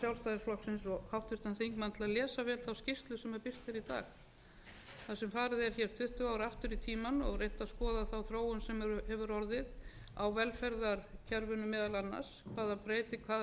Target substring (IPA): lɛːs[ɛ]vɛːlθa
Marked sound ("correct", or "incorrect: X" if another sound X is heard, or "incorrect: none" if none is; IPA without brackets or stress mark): incorrect: a